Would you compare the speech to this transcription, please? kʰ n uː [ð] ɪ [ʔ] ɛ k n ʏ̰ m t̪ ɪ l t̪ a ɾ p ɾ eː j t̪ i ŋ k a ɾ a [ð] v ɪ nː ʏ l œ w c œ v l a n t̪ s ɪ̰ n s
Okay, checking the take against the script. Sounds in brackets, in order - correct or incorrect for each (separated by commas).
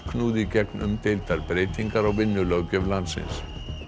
correct, incorrect, incorrect